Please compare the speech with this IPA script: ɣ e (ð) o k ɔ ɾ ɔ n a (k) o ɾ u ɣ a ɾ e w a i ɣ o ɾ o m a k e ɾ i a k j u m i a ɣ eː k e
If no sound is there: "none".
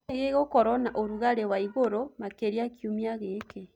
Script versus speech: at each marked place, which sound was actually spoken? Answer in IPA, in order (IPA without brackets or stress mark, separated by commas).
ɣ, ʔ